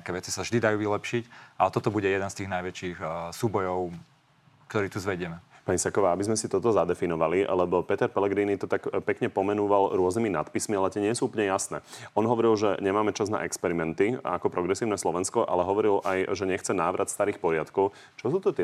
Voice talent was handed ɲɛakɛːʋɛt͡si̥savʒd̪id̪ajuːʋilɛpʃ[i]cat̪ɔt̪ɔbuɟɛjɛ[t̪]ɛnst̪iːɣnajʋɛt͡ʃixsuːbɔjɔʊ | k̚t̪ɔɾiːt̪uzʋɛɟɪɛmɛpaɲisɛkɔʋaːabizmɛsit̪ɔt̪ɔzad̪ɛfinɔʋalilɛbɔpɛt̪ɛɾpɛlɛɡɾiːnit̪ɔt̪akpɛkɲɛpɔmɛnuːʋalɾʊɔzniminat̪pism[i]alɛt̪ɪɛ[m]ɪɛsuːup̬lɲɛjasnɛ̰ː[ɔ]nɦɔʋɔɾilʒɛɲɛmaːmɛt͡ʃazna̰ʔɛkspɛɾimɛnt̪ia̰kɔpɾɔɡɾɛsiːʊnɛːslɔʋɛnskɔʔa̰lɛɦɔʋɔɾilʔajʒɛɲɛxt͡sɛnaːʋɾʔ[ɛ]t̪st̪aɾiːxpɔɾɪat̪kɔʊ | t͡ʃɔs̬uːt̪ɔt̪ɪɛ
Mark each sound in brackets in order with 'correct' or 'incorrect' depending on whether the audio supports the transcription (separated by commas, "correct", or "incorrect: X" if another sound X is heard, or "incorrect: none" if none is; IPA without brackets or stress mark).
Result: correct, incorrect: d̪, correct, incorrect: ɲ, correct, incorrect: a